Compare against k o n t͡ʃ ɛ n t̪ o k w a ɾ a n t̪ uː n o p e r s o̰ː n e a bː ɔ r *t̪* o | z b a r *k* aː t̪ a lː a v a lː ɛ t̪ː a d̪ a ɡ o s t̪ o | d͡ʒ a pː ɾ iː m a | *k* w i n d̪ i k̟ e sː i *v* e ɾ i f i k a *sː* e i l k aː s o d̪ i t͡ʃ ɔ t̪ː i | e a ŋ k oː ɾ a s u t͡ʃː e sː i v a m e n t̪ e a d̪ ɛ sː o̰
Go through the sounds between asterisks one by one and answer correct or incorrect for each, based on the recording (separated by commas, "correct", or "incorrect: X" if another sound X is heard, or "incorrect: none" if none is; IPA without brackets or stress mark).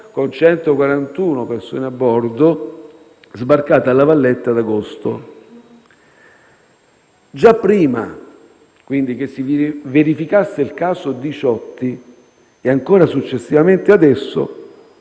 incorrect: d̪, correct, correct, correct, correct